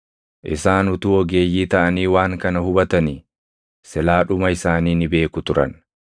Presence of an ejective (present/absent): absent